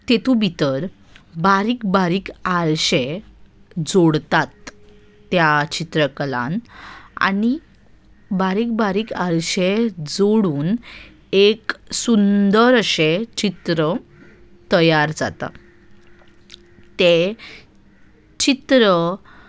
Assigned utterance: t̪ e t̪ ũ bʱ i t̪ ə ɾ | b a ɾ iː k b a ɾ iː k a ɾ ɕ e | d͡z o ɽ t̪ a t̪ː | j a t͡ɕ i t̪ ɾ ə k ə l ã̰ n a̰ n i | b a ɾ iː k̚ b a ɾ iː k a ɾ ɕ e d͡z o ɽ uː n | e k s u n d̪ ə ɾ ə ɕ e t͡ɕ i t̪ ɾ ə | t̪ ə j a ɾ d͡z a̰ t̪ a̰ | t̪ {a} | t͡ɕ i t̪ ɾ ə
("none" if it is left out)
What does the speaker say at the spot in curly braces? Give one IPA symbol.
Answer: e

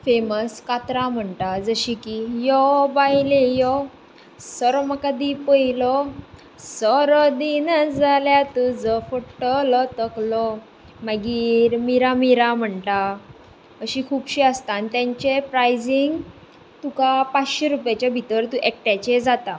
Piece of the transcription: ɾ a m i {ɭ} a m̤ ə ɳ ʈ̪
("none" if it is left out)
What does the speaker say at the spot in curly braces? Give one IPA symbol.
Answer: ɾ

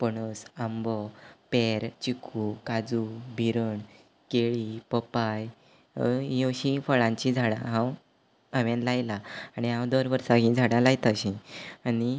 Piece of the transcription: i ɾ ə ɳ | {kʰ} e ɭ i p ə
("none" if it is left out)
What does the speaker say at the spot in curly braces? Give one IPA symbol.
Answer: k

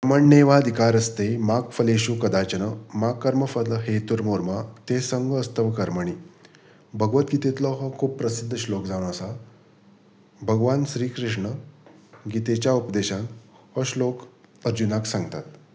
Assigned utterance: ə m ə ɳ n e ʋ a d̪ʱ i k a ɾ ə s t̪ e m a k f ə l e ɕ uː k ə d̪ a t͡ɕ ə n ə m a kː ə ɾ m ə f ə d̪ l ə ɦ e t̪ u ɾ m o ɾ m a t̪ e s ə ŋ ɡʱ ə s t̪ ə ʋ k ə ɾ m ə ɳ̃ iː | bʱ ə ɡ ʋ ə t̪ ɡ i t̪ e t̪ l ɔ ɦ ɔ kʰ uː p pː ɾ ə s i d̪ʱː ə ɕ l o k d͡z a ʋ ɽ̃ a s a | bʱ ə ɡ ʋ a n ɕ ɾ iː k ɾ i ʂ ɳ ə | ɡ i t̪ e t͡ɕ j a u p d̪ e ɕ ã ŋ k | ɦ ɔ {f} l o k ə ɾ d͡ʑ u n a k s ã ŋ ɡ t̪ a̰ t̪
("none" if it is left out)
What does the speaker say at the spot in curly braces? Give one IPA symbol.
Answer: ɕ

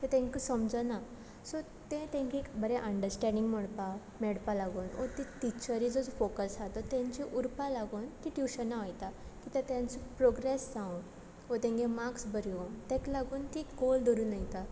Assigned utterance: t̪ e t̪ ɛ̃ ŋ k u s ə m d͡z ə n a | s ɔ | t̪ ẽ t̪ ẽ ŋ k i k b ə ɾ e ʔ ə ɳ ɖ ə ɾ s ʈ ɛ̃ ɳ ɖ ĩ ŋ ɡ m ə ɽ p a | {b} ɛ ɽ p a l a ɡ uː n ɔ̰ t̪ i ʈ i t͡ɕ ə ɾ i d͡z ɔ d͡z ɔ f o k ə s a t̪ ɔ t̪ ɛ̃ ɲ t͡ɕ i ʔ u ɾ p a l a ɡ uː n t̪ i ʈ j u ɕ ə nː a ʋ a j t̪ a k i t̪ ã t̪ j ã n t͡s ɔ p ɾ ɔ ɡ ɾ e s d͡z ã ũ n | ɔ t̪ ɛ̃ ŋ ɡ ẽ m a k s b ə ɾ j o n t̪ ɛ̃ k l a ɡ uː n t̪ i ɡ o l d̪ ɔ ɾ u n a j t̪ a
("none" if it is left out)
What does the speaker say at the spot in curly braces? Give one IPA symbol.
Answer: m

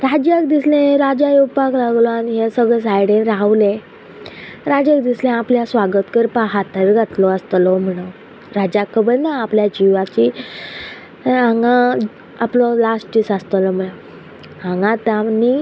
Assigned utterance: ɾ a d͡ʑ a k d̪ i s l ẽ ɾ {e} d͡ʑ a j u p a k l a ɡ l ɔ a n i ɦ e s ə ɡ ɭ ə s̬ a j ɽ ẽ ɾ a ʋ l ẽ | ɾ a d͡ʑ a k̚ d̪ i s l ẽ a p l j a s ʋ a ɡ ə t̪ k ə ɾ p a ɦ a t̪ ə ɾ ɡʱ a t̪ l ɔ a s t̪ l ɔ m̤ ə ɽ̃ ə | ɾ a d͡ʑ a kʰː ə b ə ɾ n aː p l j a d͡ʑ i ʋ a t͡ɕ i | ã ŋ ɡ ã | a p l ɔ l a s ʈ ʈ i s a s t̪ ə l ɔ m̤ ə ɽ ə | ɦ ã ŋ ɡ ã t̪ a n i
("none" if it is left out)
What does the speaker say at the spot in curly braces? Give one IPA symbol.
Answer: a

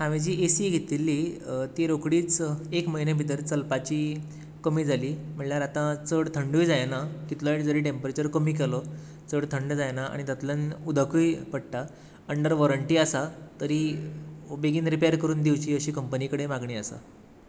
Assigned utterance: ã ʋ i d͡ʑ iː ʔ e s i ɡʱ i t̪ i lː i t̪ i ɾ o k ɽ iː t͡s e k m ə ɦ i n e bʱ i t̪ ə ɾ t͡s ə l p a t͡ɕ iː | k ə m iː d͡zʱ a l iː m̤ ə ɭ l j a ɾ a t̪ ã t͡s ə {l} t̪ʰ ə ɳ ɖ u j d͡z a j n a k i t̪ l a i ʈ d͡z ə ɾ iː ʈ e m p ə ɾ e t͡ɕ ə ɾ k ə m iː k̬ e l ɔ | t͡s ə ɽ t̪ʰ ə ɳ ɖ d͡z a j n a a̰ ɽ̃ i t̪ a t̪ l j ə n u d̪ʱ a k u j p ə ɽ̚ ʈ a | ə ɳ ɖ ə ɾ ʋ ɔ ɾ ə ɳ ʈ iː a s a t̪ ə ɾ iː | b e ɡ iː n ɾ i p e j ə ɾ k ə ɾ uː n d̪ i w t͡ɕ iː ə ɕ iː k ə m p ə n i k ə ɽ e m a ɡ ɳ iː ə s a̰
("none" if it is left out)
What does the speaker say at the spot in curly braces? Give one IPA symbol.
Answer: ɽ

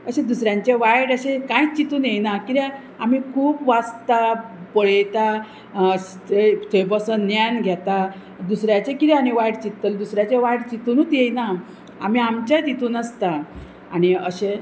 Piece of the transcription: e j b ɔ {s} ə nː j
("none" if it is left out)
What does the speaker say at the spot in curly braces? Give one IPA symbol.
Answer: s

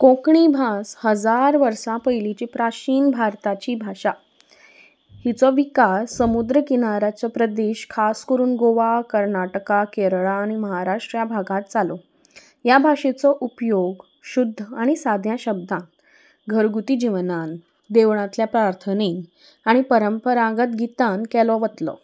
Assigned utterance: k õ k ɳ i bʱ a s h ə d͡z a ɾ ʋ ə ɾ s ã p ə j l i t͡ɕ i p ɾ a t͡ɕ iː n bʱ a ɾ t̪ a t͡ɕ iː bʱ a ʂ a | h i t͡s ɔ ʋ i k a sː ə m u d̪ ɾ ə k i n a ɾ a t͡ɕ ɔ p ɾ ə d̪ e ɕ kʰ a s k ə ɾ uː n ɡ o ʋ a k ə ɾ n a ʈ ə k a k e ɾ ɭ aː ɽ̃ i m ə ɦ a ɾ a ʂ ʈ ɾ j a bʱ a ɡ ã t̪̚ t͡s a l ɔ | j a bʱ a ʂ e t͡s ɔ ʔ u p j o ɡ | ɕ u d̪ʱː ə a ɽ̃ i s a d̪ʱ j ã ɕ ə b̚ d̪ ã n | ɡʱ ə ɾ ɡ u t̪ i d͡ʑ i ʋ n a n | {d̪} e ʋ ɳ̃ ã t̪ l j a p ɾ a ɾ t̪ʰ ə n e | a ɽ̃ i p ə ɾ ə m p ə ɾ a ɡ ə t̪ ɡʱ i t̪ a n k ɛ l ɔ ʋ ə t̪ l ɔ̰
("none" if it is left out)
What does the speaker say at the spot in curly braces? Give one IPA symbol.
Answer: d̪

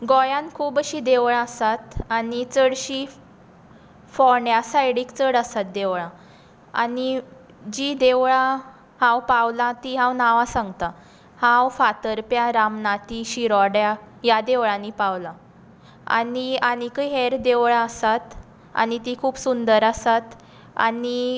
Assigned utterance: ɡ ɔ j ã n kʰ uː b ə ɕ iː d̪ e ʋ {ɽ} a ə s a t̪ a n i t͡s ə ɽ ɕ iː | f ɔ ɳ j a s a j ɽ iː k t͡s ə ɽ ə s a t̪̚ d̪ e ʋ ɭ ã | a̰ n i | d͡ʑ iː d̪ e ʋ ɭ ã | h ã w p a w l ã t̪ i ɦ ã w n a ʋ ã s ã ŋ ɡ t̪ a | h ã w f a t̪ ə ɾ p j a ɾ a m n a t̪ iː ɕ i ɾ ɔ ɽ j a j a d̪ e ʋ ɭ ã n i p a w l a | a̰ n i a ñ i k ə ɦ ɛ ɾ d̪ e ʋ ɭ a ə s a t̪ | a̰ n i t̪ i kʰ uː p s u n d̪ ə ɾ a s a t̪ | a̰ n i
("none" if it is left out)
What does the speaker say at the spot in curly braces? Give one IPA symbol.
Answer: ɭ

